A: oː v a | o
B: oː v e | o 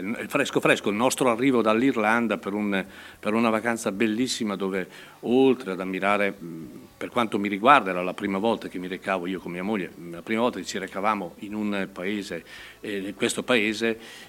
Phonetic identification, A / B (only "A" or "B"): B